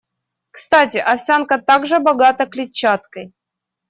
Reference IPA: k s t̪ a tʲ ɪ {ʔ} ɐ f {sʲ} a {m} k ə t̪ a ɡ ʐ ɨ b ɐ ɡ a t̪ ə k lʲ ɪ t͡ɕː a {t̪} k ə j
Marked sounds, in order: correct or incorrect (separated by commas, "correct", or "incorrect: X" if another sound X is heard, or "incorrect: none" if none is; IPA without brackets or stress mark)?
correct, correct, incorrect: n, correct